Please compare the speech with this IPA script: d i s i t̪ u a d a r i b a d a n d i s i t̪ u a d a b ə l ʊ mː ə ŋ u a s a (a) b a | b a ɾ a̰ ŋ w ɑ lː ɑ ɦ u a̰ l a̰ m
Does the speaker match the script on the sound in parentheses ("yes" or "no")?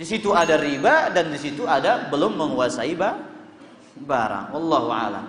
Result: no